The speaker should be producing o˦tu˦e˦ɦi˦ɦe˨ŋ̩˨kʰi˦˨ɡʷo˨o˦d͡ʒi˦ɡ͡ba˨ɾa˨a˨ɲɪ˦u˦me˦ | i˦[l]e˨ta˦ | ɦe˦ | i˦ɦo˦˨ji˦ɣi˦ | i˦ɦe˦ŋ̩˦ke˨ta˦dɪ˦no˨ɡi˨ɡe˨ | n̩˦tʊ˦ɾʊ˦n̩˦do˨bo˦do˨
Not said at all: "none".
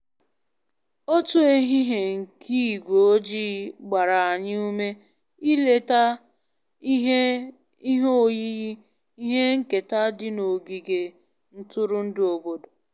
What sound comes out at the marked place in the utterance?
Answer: l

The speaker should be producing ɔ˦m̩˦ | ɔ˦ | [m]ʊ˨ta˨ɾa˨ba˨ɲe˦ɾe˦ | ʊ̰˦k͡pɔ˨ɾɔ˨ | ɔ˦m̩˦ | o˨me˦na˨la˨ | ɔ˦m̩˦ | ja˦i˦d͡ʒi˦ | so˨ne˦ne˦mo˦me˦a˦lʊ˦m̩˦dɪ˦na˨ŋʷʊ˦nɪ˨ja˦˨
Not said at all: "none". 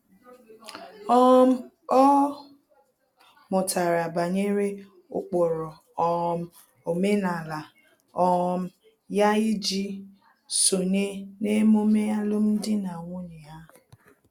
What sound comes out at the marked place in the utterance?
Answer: m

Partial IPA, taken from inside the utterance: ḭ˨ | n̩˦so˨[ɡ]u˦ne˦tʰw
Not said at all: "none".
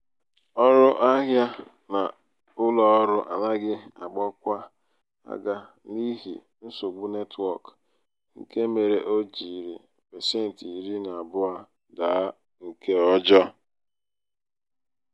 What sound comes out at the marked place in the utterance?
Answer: ɡ͡b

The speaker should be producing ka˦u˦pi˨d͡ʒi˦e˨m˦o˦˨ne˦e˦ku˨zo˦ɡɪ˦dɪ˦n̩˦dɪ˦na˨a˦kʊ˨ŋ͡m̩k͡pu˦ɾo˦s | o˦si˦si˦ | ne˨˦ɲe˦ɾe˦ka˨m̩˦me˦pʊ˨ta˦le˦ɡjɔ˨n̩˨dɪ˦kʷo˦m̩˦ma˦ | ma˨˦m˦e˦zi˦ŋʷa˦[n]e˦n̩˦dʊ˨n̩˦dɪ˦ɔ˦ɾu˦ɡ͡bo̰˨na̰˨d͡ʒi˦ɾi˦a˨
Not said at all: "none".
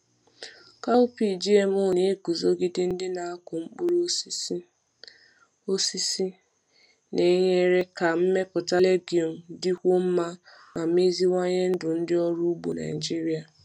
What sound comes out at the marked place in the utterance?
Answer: ɲ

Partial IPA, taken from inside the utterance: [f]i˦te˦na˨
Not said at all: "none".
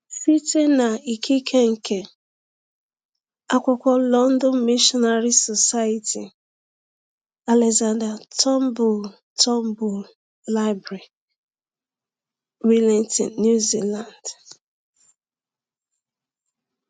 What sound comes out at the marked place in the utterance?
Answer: f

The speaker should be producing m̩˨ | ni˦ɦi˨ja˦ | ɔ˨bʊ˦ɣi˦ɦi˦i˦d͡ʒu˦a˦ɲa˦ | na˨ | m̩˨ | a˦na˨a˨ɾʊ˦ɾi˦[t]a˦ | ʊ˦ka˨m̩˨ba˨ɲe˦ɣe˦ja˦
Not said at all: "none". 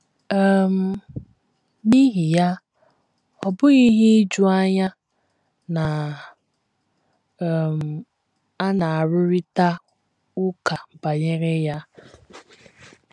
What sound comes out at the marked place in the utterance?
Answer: t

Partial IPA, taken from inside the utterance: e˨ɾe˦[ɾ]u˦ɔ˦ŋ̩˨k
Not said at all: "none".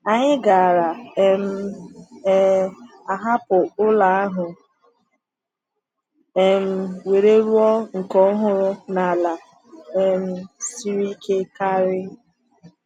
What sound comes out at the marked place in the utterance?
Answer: ɾ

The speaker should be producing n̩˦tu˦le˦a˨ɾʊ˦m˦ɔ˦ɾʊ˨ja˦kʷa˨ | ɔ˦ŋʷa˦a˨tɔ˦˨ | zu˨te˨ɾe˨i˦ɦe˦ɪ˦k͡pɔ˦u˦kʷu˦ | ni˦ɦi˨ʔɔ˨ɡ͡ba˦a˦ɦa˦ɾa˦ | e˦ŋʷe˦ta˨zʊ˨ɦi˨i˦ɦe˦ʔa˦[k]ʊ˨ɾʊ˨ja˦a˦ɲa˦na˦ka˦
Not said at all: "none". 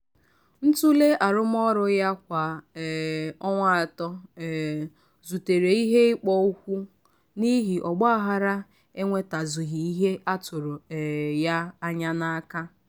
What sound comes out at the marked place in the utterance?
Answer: t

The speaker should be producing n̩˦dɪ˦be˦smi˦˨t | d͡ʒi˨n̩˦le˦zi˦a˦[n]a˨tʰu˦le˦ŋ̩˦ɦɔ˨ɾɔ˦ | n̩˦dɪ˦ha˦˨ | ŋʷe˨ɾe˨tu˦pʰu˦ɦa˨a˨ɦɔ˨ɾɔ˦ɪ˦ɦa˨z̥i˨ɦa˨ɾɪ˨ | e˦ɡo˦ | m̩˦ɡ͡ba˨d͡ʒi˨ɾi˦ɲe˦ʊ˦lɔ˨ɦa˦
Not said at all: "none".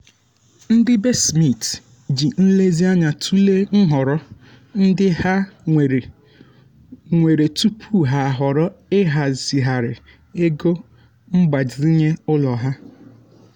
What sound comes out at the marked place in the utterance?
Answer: ɲ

